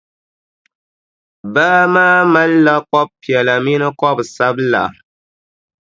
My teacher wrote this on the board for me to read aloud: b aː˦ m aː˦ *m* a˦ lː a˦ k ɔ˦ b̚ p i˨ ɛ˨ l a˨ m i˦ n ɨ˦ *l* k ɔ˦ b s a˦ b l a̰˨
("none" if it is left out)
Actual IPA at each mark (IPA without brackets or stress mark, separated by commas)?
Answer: m, none